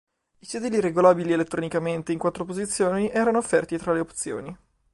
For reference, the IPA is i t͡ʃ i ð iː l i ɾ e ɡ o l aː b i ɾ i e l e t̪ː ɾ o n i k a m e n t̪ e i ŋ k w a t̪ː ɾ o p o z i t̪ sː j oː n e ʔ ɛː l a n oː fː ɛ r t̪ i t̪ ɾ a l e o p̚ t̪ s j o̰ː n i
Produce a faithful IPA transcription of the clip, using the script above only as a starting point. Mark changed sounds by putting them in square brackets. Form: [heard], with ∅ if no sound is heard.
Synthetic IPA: i t͡ʃ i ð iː l i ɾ e ɡ o l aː b i [l] i e l e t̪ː ɾ o n i k a m e n t̪ e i ŋ k w a t̪ː ɾ o p o z i t̪ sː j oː n [i] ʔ ɛː [ɾ] a n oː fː ɛ r t̪ i t̪ ɾ a l e o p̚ t̪ s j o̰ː n i